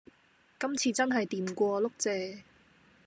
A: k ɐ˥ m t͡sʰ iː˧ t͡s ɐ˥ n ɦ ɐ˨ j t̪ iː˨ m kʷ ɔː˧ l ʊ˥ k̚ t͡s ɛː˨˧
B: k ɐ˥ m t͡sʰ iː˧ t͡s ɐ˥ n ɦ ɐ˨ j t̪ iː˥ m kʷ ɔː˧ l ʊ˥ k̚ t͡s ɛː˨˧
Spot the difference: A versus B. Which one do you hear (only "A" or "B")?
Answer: A